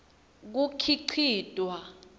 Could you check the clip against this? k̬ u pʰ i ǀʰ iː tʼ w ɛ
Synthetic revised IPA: k̬ u kʰ i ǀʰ iː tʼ w a